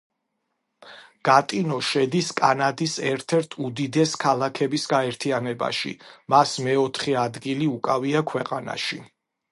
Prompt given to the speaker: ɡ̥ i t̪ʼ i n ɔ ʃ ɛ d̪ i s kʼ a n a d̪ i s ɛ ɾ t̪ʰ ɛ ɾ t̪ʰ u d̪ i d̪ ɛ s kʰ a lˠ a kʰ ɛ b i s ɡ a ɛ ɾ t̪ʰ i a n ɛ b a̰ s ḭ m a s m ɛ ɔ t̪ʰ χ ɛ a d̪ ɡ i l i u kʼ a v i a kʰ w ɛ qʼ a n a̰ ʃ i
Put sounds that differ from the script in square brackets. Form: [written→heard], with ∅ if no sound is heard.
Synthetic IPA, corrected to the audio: ɡ̥ [i→a] t̪ʼ i n ɔ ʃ ɛ d̪ i s kʼ a n a d̪ i s ɛ ɾ t̪ʰ ɛ ɾ t̪ʰ u d̪ i d̪ ɛ s kʰ a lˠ a kʰ ɛ b i s ɡ a ɛ ɾ t̪ʰ i a n ɛ b a̰ [s→ʃ] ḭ m a s m ɛ ɔ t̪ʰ χ ɛ a d̪ ɡ i l i u kʼ a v i a kʰ w ɛ qʼ a n a̰ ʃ i

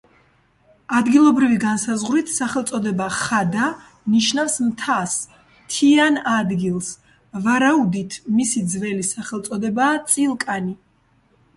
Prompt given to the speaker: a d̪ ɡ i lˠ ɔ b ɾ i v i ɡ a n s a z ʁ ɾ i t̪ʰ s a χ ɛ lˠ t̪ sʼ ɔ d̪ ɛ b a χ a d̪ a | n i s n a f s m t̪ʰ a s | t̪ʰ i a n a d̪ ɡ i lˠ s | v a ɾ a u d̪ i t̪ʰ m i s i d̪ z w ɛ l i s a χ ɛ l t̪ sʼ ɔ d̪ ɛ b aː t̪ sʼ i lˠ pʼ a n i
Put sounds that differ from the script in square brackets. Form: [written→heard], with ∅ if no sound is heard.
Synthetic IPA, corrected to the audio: a d̪ ɡ i lˠ ɔ b ɾ i v i ɡ a n s a z ʁ ɾ i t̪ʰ s a χ ɛ lˠ t̪ sʼ ɔ d̪ ɛ b a χ a d̪ a | n i [s→ʃ] n a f s m t̪ʰ a s | t̪ʰ i a n a d̪ ɡ i lˠ s | v a ɾ a u d̪ i t̪ʰ m i s i d̪ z [w→v] ɛ l i s a χ ɛ l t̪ sʼ ɔ d̪ ɛ b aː t̪ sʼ i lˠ [pʼ→kʼ] a n i

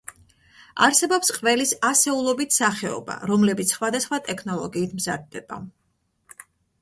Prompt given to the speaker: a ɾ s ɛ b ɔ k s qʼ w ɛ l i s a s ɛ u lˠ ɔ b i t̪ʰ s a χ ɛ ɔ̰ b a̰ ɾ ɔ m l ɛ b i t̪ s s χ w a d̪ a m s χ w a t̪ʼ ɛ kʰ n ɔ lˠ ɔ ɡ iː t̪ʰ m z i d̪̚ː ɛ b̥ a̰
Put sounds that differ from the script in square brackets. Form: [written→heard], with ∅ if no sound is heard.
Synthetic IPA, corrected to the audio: a ɾ s ɛ b ɔ [k→p] s qʼ [w→v] ɛ l i s a s ɛ u lˠ ɔ b i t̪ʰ s a χ ɛ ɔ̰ b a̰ ɾ ɔ m l ɛ b i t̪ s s χ w a d̪ a [m→∅] s χ w a t̪ʼ ɛ kʰ n ɔ lˠ ɔ ɡ iː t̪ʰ m z [i→a] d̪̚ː ɛ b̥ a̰

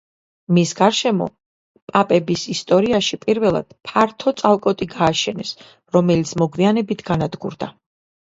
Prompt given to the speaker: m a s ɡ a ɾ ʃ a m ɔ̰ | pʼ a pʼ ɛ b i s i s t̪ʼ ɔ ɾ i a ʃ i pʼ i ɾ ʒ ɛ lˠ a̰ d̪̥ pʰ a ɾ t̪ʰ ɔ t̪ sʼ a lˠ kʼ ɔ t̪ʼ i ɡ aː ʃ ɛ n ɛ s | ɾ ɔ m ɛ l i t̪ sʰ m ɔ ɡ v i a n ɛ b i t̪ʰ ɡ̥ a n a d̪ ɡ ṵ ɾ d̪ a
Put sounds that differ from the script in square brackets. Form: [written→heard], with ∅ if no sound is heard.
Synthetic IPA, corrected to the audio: m [a→i] s ɡ a ɾ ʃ [a→ɛ] m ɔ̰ | pʼ a pʼ ɛ b i s i s t̪ʼ ɔ ɾ i a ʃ i pʼ i ɾ [ʒ→v] ɛ lˠ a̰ d̪̥ pʰ a ɾ t̪ʰ ɔ t̪ sʼ a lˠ kʼ ɔ t̪ʼ i ɡ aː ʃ ɛ n ɛ s | ɾ ɔ m ɛ l i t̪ sʰ m ɔ ɡ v i a n ɛ b i t̪ʰ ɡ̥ a n a d̪ ɡ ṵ ɾ d̪ a

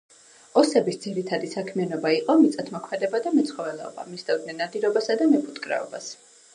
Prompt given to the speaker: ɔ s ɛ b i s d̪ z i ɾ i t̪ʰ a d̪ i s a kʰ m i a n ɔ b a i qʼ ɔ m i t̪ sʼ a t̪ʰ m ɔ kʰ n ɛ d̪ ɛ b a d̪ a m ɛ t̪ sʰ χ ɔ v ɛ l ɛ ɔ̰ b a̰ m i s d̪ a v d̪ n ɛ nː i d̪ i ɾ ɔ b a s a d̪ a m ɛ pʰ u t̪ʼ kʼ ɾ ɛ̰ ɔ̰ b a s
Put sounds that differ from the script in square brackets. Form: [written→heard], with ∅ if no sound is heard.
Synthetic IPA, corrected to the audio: ɔ s ɛ b i s d̪ z i ɾ i t̪ʰ a d̪ i s a kʰ m i a n ɔ b a i qʼ ɔ m i t̪ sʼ a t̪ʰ m ɔ kʰ [n→m] ɛ d̪ ɛ b a d̪ a m ɛ t̪ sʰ χ ɔ v ɛ l ɛ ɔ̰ b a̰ m i s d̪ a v d̪ n ɛ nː [i→a] d̪ i ɾ ɔ b a s a d̪ a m ɛ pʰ u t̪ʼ kʼ ɾ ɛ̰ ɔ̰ b a s

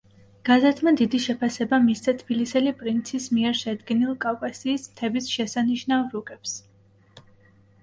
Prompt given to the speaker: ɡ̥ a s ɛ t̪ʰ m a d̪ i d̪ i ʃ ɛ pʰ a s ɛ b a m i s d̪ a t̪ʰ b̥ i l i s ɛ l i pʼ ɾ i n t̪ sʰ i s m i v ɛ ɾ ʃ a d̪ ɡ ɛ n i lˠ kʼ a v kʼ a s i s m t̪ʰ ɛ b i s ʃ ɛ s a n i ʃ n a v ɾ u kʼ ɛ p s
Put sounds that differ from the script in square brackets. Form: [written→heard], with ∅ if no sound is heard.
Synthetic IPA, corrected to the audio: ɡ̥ a [s→z] ɛ t̪ʰ m a d̪ i d̪ i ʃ ɛ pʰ a s ɛ b a m i s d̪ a t̪ʰ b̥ i l i s ɛ l i pʼ ɾ i n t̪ sʰ i s m i [v→∅] ɛ ɾ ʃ [a→ɛ] d̪ ɡ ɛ n i lˠ kʼ a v kʼ a s [i→iː] s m t̪ʰ ɛ b i s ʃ ɛ s a n i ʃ n a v ɾ u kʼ ɛ p s

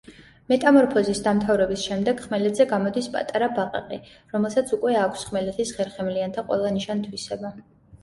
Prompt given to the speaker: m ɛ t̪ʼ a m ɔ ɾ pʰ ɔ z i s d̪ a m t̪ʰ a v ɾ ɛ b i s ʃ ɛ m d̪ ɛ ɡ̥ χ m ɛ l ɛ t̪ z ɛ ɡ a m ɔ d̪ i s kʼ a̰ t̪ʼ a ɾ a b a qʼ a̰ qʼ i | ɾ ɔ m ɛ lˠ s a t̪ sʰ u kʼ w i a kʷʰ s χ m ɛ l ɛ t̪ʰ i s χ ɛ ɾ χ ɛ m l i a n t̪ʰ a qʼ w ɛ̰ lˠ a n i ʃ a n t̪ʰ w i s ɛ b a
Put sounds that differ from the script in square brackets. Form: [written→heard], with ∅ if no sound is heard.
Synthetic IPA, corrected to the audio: m ɛ t̪ʼ a m ɔ ɾ pʰ ɔ z i s d̪ a m t̪ʰ a v ɾ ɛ b i s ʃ ɛ m d̪ ɛ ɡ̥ χ m ɛ l ɛ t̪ z ɛ ɡ a m ɔ d̪ i s [kʼ→pʼ] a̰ t̪ʼ a ɾ a b a qʼ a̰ qʼ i | ɾ ɔ m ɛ lˠ s a t̪ sʰ u kʼ w [i→ɛ] a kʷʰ s χ m ɛ l ɛ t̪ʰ i s χ ɛ ɾ χ ɛ m l i a n t̪ʰ a qʼ w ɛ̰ lˠ a n i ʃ a n t̪ʰ w i s ɛ b a

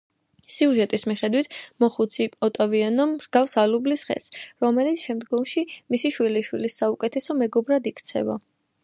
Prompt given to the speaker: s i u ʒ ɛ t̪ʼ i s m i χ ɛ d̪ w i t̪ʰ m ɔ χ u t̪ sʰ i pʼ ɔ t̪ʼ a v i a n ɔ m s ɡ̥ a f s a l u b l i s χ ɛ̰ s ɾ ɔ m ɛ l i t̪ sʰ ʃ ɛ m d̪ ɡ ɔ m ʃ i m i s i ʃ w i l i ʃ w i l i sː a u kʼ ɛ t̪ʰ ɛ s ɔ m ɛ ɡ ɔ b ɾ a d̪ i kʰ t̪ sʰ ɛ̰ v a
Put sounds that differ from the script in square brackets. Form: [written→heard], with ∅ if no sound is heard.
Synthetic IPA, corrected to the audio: s i u ʒ ɛ t̪ʼ i s m i χ ɛ d̪ w i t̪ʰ m ɔ χ u t̪ sʰ i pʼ ɔ t̪ʼ a v i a n ɔ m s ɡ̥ a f s a l u b l i s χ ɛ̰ s ɾ ɔ m ɛ l i t̪ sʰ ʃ ɛ m d̪ ɡ ɔ m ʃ i m i s i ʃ w i l i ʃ w i l i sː a u kʼ ɛ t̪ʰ ɛ s ɔ m ɛ ɡ ɔ b ɾ a d̪ i kʰ t̪ sʰ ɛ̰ v a

